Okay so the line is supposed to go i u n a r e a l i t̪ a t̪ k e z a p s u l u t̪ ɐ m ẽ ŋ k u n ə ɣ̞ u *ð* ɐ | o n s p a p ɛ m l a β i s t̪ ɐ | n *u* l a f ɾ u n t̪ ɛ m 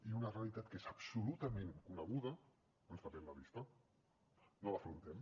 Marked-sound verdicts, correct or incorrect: correct, incorrect: o

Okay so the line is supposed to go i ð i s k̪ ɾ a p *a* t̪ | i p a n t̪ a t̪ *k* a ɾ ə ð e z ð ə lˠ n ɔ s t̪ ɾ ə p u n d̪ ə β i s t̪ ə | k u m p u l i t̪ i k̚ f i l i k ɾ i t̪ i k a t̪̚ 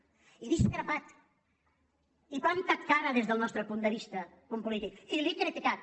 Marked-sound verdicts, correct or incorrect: correct, correct

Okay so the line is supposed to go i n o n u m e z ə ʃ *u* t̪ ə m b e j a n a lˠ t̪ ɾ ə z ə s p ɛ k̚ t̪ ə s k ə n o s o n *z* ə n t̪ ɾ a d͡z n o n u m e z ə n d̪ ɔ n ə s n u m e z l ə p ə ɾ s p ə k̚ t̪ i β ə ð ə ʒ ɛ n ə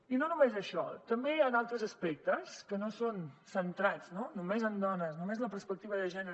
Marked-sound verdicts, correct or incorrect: incorrect: ɔ, incorrect: s

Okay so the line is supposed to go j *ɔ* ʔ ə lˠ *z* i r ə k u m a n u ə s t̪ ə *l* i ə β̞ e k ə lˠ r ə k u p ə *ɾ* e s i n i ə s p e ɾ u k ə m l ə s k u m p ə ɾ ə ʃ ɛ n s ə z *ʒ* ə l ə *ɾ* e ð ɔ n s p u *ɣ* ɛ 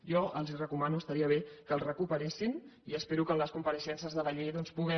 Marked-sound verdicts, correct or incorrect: correct, correct, incorrect: ɾ, correct, incorrect: ð, incorrect: ʎ, correct

